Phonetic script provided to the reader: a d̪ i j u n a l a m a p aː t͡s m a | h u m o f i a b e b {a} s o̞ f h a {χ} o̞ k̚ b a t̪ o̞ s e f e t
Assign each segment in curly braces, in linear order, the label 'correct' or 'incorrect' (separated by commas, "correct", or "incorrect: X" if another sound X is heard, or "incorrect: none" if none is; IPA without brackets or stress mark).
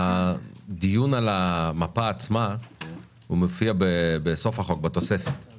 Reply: incorrect: e, correct